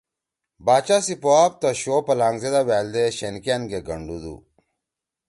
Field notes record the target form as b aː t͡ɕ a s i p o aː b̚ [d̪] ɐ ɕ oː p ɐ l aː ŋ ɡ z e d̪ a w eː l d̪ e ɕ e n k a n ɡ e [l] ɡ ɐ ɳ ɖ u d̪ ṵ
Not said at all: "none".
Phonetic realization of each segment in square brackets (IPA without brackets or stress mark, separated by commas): t̪, none